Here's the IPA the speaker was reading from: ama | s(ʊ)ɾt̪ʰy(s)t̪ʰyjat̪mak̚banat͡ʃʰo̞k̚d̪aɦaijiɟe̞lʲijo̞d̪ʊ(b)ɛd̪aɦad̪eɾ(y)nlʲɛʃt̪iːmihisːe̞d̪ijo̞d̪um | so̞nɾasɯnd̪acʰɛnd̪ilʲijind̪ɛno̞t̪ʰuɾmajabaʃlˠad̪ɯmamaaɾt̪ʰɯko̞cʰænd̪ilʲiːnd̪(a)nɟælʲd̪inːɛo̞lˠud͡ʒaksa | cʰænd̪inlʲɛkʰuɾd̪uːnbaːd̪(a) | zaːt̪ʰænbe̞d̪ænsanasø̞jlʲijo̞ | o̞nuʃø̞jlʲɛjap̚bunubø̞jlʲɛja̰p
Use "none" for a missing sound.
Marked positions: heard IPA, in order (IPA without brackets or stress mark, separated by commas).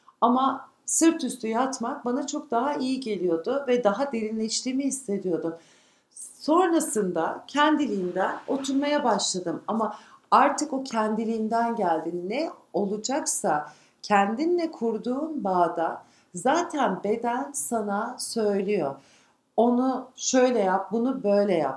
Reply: ɯ, s, v, i, æ, a